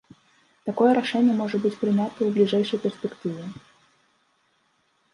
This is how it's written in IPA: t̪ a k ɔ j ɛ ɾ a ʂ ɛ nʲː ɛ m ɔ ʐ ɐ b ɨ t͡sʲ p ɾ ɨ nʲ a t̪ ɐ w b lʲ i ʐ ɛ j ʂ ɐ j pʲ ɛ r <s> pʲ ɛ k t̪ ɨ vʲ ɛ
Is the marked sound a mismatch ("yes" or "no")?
no